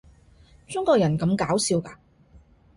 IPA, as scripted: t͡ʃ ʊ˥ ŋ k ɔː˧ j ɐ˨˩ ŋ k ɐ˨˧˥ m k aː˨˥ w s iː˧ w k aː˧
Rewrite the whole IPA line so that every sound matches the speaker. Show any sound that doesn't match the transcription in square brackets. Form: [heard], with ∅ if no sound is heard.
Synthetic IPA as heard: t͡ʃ ʊ˥ ŋ k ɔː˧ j ɐ˨˩ [n] k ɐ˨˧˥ m k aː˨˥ w s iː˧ w k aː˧